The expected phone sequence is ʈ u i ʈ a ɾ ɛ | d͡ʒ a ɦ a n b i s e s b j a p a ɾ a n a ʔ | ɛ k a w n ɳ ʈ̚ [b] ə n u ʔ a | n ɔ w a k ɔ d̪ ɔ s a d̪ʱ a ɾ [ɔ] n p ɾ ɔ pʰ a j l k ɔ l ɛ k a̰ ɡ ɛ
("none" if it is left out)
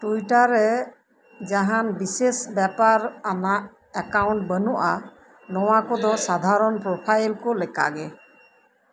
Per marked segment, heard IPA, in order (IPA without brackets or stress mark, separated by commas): b, ɔ